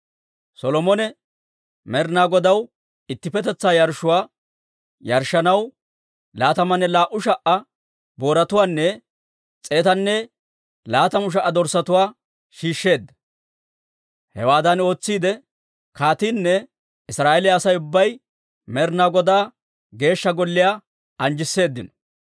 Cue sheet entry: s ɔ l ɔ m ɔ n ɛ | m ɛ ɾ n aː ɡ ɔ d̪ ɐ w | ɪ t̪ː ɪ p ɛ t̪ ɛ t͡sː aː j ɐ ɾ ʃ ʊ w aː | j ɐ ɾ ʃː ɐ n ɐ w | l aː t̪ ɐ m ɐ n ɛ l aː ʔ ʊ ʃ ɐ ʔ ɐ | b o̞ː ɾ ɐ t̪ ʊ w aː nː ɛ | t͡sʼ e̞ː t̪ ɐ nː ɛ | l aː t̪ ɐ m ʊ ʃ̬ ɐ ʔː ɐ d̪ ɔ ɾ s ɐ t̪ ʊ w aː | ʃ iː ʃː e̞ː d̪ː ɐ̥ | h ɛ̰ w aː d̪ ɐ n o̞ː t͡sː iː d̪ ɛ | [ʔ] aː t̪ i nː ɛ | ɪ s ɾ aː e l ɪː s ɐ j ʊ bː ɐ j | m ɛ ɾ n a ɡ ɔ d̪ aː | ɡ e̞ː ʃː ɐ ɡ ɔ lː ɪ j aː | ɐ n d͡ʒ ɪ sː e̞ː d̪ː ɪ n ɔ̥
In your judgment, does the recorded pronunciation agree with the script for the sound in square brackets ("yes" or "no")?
no